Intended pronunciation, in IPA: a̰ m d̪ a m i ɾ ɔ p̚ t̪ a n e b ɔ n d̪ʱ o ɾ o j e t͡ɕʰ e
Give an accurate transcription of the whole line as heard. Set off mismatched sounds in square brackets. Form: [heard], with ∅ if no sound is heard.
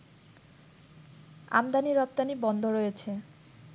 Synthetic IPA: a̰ m d̪ a [n] i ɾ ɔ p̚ t̪ a n [i] b ɔ n d̪ʱ o ɾ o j e t͡ɕʰ e

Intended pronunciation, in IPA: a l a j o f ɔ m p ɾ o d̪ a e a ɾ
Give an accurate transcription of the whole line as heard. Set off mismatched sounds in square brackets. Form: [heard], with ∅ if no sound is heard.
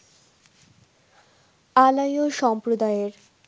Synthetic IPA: a l a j o [ʃ] ɔ m p ɾ o d̪ a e [e] ɾ

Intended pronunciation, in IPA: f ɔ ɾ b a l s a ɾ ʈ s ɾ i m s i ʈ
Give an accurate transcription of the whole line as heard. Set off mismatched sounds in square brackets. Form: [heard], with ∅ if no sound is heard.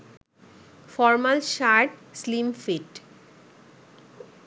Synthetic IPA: f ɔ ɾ [m] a l [ʃ] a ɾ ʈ s [l] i m [f] i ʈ

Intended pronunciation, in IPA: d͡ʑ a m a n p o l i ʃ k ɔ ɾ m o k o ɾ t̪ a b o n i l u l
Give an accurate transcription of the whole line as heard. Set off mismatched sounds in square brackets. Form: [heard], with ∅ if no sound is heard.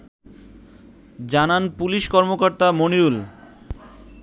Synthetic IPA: d͡ʑ a [n] a n p [u] l i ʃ k ɔ ɾ m o k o ɾ t̪ a [m] o n i [ɾ] u l

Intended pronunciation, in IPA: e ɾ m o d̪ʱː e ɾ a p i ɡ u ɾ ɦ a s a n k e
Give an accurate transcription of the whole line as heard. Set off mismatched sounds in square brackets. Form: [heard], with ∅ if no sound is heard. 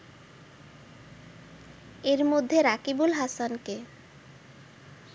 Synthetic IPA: e ɾ m o d̪ʱː e ɾ a [k] i [b] u [l] ɦ a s a n k e

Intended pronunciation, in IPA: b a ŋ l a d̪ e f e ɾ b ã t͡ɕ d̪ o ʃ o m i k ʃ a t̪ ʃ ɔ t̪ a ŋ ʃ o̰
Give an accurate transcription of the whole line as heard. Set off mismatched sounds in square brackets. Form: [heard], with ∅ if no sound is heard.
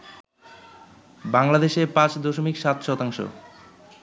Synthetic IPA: b a ŋ l a d̪ e [ʃ] e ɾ [p] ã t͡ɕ d̪ o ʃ o m i k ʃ a t̪ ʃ ɔ t̪ a ŋ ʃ o̰

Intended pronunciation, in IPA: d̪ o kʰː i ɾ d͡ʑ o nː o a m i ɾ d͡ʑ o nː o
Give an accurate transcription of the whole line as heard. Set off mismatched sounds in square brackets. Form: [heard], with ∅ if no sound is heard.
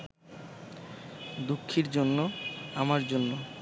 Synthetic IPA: d̪ [u] kʰː i ɾ d͡ʑ o nː o a m [a] ɾ d͡ʑ o nː o

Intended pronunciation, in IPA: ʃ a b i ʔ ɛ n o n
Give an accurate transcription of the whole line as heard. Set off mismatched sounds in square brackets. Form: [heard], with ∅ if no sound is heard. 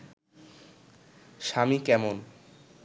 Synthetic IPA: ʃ a [m] i [k] ɛ [m] o n

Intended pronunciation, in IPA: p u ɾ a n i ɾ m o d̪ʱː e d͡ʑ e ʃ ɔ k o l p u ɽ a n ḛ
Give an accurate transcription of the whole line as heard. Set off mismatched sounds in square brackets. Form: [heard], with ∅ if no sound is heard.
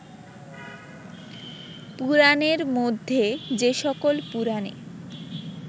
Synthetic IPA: p u ɾ a n [e] ɾ m o d̪ʱː e d͡ʑ e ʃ ɔ k o l p u [ɾ] a n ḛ

